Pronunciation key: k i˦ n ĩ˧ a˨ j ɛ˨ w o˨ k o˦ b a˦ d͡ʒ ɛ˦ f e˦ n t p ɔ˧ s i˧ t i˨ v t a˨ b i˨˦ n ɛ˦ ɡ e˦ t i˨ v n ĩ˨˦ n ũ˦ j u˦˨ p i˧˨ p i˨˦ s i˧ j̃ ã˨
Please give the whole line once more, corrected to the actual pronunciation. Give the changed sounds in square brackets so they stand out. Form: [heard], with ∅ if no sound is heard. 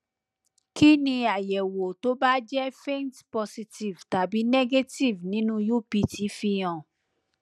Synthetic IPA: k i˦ n ĩ˧ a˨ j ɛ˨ w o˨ [t] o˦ b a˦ d͡ʒ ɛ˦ f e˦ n t p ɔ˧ s i˧ t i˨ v t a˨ b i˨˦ n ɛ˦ ɡ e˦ t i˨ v n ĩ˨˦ n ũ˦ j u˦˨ p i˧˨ [t] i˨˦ [f] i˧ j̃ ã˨